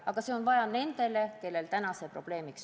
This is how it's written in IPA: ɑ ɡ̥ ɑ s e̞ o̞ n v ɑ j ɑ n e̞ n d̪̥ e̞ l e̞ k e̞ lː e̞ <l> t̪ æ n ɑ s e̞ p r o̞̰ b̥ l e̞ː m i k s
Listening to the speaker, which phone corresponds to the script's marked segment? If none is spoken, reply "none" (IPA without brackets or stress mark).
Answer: l